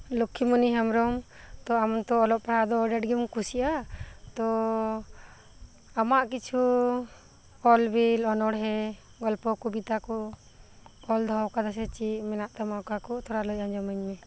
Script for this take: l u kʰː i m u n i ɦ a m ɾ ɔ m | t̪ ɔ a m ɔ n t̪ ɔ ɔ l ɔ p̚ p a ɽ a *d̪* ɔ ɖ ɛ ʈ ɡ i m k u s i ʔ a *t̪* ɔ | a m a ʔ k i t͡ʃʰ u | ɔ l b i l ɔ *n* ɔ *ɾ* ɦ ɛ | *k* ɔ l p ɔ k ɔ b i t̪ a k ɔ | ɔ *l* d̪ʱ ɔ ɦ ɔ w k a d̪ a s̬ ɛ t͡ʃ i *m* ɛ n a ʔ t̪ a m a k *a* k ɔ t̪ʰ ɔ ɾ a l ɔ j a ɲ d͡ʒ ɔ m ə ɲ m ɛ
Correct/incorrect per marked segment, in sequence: correct, correct, correct, incorrect: ɽ, incorrect: ɡ, correct, correct, correct

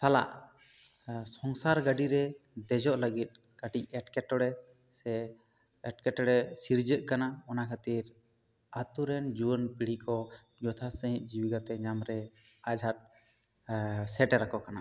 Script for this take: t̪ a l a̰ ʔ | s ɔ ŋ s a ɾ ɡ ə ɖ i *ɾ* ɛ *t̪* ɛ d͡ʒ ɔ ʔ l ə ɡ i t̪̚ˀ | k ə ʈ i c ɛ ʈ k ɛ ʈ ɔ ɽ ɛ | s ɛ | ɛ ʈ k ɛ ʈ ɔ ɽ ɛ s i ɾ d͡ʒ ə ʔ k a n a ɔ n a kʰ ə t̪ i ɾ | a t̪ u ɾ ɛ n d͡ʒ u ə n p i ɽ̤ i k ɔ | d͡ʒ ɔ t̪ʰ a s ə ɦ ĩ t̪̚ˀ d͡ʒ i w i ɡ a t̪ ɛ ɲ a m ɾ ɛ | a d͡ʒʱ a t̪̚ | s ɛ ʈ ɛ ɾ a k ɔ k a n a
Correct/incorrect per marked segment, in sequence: correct, incorrect: d̪

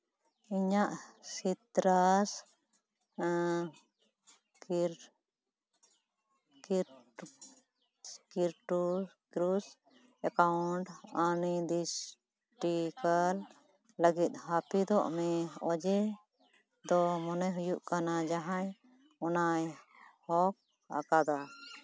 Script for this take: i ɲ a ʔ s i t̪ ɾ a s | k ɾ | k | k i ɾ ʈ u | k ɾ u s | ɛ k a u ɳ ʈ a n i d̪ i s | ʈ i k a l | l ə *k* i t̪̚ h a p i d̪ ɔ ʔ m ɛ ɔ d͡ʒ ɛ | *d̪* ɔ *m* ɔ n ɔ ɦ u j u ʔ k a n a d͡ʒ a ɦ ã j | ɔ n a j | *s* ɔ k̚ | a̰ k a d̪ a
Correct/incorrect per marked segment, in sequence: incorrect: ɡ, correct, correct, incorrect: h

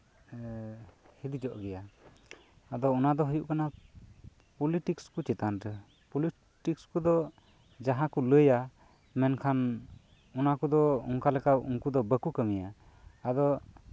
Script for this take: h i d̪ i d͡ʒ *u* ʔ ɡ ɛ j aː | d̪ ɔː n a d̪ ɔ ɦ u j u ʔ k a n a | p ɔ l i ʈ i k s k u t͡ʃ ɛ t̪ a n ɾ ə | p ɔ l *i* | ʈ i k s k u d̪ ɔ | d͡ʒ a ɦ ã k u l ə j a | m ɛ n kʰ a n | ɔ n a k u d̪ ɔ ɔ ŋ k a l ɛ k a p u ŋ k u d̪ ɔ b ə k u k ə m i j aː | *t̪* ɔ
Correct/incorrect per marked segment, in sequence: incorrect: ɔ, correct, incorrect: d̪

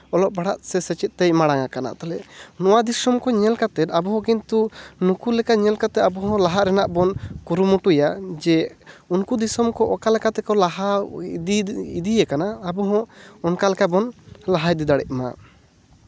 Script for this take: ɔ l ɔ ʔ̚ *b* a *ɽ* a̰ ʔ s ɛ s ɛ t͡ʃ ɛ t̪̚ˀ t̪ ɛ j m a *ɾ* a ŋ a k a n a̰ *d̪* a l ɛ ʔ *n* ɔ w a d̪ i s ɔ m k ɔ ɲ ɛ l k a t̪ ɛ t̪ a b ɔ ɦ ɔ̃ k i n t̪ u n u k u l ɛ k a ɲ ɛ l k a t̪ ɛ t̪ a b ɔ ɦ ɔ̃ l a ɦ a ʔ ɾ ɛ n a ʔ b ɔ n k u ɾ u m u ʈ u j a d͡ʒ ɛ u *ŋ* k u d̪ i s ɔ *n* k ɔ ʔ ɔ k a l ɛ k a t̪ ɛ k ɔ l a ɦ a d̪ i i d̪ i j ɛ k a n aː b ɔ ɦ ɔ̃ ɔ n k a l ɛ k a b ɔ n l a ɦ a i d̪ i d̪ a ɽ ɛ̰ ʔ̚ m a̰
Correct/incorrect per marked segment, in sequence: correct, correct, incorrect: ɽ, incorrect: t̪, correct, incorrect: n, incorrect: m

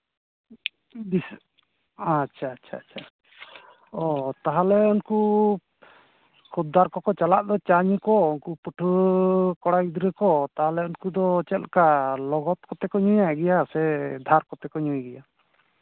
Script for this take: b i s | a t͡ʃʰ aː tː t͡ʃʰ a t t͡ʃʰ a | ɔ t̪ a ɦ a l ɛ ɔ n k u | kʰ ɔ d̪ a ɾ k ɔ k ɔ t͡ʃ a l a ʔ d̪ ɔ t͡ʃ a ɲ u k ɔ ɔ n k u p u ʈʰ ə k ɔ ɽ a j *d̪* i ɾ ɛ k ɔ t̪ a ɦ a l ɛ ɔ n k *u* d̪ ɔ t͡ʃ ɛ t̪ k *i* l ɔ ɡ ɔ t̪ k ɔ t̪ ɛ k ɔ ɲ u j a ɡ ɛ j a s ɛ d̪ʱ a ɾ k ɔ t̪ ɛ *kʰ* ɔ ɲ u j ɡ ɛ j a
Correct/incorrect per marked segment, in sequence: correct, correct, incorrect: a, incorrect: k

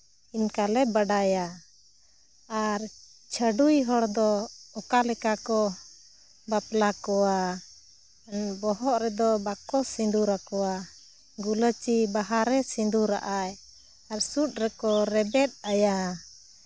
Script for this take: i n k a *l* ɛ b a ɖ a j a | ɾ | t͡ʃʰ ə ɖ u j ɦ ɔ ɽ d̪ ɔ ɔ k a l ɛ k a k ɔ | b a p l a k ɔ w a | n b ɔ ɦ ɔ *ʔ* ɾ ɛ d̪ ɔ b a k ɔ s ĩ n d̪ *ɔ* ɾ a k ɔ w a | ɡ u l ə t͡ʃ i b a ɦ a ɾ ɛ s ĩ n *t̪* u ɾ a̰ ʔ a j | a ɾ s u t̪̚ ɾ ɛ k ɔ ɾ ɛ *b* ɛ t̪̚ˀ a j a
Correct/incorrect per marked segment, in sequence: correct, correct, incorrect: u, incorrect: d̪, correct

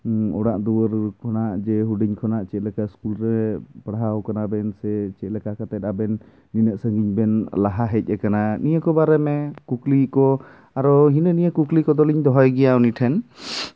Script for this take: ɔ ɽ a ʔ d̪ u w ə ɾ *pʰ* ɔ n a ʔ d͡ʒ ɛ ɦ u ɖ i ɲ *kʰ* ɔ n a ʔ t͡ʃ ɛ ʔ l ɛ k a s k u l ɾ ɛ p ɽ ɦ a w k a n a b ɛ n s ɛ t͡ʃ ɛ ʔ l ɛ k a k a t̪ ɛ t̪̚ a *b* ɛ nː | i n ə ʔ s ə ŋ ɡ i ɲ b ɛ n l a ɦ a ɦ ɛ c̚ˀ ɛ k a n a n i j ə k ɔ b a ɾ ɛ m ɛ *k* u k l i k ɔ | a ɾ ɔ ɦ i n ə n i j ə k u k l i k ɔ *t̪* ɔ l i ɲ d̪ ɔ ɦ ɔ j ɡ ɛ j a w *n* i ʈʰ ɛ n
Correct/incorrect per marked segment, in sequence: incorrect: kʰ, correct, correct, correct, incorrect: d̪, correct

